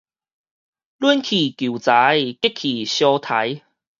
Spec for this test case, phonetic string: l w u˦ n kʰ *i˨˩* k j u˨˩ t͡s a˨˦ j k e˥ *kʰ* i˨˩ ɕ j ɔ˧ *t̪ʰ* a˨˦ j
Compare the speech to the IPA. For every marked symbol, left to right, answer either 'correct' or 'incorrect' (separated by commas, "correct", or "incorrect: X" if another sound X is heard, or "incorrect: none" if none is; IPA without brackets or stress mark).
correct, correct, correct